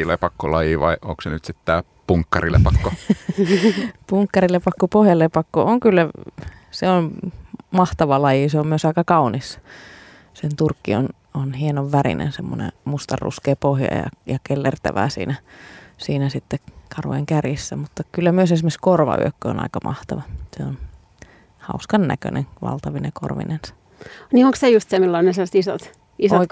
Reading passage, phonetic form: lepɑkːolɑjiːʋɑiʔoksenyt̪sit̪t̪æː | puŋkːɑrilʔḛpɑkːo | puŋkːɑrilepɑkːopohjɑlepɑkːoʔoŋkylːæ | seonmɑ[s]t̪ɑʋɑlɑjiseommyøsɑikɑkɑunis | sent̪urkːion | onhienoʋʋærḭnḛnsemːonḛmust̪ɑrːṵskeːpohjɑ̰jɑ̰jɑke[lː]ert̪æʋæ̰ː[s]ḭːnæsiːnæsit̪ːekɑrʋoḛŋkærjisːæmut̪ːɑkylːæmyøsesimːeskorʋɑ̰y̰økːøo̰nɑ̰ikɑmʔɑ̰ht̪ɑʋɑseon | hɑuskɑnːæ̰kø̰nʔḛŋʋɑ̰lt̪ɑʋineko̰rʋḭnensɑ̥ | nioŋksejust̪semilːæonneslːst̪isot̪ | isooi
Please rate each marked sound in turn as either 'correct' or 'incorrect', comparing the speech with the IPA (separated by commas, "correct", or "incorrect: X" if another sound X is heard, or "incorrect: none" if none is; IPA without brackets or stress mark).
incorrect: h, correct, correct